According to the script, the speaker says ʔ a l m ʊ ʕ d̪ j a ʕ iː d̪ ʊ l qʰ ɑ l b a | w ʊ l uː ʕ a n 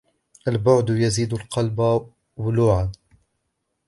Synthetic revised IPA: ʔ a l b ʊ ʕ d̪ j a z iː d̪ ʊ l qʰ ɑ l b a | w ʊ l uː ʕ a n